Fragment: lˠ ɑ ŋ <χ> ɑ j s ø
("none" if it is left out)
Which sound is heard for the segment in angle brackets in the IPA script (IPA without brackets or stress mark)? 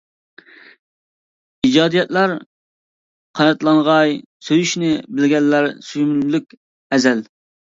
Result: ʁ